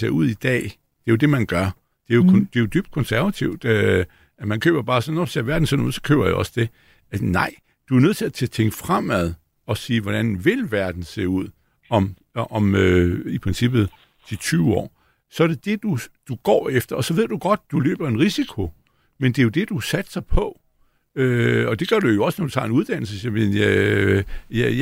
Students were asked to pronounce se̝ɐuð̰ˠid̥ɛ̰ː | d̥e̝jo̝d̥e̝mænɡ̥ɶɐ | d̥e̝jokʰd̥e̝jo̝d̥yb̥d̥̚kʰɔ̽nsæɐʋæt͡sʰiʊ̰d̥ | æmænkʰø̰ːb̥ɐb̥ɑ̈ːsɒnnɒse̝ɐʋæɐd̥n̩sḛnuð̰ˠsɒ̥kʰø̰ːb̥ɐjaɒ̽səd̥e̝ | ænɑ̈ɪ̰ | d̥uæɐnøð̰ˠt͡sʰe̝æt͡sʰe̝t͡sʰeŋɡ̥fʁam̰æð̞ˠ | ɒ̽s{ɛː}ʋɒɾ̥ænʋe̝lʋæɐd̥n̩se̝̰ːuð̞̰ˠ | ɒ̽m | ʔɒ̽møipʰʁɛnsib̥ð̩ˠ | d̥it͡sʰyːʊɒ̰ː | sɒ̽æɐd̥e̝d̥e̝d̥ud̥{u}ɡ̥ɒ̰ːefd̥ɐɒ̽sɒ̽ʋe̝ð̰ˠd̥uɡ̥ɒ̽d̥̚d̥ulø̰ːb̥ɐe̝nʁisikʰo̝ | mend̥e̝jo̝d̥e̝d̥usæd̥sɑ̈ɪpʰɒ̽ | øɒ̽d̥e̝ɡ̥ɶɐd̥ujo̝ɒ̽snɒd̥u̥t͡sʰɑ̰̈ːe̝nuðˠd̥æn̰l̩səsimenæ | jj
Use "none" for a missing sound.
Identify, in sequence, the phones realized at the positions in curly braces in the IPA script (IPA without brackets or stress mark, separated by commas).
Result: iː, u